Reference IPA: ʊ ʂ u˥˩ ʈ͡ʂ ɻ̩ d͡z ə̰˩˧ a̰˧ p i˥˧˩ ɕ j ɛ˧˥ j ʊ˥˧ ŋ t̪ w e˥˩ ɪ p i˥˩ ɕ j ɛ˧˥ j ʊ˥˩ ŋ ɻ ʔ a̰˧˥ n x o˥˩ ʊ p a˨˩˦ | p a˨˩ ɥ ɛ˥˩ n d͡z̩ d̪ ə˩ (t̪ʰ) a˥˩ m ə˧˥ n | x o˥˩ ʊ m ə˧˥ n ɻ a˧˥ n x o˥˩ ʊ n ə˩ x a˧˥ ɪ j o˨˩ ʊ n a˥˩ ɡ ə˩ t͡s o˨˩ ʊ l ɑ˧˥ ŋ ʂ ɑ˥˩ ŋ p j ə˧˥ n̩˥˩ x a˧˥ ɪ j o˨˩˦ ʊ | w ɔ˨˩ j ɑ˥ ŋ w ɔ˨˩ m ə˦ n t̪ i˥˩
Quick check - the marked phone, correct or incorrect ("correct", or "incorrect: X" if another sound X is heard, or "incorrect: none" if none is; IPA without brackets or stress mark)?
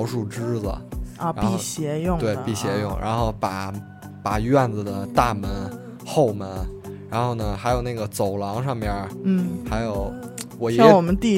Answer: incorrect: t̪